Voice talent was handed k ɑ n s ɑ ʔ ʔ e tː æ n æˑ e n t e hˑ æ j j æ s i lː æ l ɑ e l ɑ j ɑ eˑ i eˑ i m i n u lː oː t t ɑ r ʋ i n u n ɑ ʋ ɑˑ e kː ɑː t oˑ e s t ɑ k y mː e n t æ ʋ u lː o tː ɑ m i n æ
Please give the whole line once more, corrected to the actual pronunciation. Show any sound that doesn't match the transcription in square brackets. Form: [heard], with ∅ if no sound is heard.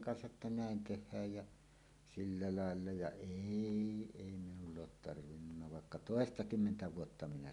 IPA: k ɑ n s ɑ ʔ ʔ e tː æ n æˑ e n t e hˑ [æː] j j æ s i lː æ l ɑ e [lː] ɑ j ɑ eˑ i eˑ i m i n u lː oː t t ɑ r ʋ i [nː] u [nː] ɑ ʋ ɑˑ e kː [ɑ] t oˑ e s t ɑ k y mː e n t æ ʋ u [∅] o tː ɑ m i n æ